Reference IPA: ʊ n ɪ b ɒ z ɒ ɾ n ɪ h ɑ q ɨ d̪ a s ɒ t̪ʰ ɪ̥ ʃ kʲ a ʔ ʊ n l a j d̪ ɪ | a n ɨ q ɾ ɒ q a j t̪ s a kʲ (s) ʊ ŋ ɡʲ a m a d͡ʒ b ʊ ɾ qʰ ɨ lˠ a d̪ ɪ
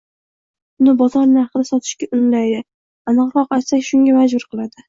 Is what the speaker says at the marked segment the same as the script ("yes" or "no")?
no